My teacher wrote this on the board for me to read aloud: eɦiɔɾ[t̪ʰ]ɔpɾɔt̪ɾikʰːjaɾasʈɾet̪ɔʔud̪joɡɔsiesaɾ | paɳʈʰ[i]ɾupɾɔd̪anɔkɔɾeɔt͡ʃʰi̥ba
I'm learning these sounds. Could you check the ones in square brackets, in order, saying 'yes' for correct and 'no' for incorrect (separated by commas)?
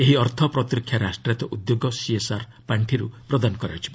yes, yes